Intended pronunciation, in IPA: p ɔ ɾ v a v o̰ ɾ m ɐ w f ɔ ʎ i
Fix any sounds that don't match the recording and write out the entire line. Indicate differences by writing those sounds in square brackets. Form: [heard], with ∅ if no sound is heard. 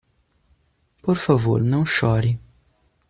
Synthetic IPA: p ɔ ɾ [f] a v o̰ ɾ [n] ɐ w [ʃ] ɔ [ɾ] i